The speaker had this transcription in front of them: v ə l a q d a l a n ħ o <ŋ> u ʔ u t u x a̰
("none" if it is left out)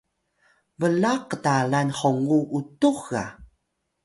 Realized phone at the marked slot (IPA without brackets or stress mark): ŋ